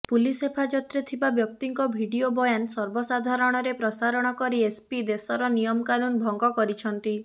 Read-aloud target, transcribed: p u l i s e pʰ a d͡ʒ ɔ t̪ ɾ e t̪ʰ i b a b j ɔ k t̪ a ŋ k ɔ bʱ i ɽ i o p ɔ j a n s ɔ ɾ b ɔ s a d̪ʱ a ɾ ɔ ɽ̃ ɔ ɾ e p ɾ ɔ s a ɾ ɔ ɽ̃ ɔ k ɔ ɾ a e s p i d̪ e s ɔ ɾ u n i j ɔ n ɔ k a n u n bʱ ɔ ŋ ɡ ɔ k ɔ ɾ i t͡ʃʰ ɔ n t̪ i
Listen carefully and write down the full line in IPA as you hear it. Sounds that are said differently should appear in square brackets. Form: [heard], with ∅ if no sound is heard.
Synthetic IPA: p u l i s e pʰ a d͡ʒ ɔ t̪ ɾ e t̪ʰ i b a b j ɔ k t̪ [i] ŋ k ɔ bʱ i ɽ i o [b] ɔ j a n s ɔ ɾ b ɔ s a d̪ʱ a ɾ ɔ ɽ̃ ɔ ɾ e p ɾ ɔ s a ɾ ɔ ɽ̃ ɔ k ɔ ɾ [i] e s p i d̪ e s ɔ ɾ [ɔ] n i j ɔ [m] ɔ k a n u n bʱ ɔ ŋ ɡ ɔ k ɔ ɾ i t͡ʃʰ ɔ n t̪ i